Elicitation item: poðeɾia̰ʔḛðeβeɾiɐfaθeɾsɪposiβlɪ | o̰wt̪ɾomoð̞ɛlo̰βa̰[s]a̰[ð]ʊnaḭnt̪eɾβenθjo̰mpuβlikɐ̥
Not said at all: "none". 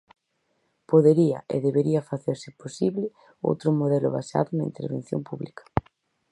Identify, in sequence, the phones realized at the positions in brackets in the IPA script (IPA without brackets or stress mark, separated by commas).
s, ð